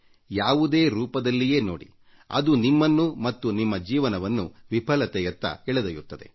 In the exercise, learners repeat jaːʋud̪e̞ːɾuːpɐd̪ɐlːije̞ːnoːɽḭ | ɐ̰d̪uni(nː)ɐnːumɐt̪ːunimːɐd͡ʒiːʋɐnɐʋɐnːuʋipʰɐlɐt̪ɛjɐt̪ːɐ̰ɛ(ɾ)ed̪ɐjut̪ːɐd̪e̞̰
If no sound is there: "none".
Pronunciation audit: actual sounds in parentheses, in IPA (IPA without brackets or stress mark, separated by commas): mː, ɭ